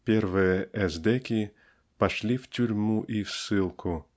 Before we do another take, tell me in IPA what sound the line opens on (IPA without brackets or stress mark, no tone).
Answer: pʲ